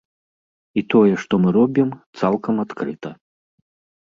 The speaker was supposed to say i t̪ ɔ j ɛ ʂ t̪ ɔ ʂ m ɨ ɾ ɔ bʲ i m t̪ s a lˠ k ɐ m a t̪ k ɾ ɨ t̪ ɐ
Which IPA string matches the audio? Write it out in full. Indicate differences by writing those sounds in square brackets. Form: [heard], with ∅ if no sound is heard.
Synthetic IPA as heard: i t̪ ɔ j ɛ ʂ t̪ ɔ [∅] m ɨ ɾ ɔ bʲ i m t̪ s a lˠ k ɐ m a t̪ k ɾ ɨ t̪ ɐ

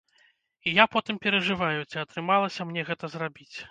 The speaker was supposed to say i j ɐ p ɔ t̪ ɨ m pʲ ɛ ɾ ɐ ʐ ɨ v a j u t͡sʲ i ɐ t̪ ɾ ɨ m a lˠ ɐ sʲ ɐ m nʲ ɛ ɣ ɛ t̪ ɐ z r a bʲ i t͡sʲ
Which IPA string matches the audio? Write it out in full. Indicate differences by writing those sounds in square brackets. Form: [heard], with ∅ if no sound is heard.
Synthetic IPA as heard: i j [a] p ɔ t̪ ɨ m pʲ ɛ ɾ ɐ ʐ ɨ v a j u t͡sʲ i ɐ t̪ ɾ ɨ m a lˠ ɐ sʲ ɐ m nʲ ɛ ɣ ɛ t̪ ɐ z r a bʲ i t͡sʲ

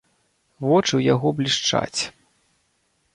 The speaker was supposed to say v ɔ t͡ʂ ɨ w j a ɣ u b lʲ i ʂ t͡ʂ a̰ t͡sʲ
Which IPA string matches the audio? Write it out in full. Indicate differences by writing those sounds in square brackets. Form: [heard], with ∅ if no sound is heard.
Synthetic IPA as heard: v ɔ t͡ʂ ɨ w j a ɣ [ɔ] b lʲ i ʂ t͡ʂ a̰ t͡sʲ

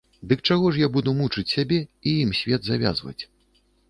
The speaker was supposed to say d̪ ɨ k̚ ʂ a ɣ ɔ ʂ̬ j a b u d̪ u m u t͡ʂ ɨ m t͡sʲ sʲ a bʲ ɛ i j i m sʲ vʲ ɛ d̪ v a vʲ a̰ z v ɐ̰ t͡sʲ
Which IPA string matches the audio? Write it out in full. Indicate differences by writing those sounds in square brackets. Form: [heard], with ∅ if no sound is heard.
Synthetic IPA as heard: d̪ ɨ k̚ [t͡ʂ] a ɣ ɔ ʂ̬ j a b u d̪ u m u t͡ʂ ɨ [∅] t͡sʲ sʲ a bʲ ɛ i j i m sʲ vʲ ɛ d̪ [z] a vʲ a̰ z v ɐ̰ t͡sʲ

